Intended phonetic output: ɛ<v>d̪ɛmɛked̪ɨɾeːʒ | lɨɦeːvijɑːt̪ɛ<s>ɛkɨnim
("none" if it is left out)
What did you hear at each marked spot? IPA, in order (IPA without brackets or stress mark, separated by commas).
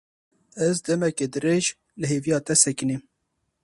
z, s